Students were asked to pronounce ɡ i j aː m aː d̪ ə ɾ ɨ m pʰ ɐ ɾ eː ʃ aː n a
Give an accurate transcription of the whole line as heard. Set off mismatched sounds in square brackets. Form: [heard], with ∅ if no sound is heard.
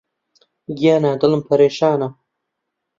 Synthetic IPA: ɡ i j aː [n] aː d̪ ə [l] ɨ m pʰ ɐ ɾ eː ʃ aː n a